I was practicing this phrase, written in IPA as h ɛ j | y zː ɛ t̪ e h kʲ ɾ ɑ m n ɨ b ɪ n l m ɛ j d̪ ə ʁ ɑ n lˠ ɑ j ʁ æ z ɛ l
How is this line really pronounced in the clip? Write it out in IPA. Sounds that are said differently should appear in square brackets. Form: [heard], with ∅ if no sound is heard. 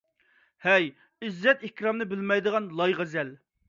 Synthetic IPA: h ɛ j | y zː ɛ t̪ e h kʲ ɾ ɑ m n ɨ b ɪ [∅] l m ɛ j d̪ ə ʁ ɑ n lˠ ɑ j ʁ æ z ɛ l